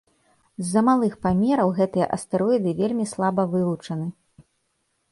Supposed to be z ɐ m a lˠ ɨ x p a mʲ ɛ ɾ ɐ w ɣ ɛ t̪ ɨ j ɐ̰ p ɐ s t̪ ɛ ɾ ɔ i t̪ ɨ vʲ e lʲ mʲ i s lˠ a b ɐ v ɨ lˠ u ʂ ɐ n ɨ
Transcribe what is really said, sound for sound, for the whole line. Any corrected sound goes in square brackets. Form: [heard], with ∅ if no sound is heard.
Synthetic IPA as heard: [zː] ɐ m a lˠ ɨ x p a mʲ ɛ ɾ ɐ w ɣ ɛ t̪ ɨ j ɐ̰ [ʔ] ɐ s t̪ ɛ ɾ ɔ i [d̪] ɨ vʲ e lʲ mʲ i s lˠ a b ɐ v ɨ lˠ u [t͡ʂ] ɐ n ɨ